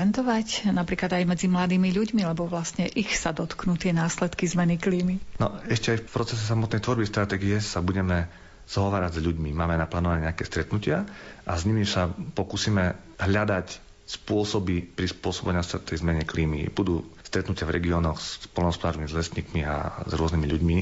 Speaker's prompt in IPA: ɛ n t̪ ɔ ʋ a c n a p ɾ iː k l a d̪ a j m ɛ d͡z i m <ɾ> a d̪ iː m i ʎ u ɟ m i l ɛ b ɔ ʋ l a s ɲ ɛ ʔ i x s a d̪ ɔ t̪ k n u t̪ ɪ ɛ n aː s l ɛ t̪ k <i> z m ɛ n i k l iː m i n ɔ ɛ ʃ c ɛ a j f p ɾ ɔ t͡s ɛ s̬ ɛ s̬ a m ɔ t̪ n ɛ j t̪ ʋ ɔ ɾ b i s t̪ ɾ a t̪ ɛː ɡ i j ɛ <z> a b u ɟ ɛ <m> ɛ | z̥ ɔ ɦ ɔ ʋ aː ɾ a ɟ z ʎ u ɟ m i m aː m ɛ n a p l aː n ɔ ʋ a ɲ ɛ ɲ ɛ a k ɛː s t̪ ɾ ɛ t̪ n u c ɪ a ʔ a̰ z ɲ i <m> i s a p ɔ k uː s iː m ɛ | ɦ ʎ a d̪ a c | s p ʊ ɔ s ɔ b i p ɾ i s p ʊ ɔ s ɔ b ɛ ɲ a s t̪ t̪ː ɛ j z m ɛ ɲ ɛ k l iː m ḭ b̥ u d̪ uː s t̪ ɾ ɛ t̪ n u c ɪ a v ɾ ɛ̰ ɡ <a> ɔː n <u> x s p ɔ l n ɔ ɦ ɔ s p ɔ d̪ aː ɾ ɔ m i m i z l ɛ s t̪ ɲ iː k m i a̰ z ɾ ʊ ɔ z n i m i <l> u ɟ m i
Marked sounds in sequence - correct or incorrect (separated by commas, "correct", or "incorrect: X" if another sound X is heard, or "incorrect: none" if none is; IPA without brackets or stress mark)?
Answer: incorrect: l, correct, incorrect: s, correct, correct, incorrect: i, incorrect: ɔ, incorrect: ʎ